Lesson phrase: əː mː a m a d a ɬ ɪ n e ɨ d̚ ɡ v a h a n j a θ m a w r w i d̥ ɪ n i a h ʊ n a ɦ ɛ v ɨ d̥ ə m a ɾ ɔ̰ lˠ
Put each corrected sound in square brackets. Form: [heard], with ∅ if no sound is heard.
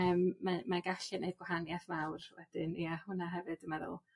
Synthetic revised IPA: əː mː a m a [ɡ] a ɬ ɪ n e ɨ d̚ ɡ [w] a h a n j a θ m a w r w [ɛ] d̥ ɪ n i a h ʊ n a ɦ ɛ v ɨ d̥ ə m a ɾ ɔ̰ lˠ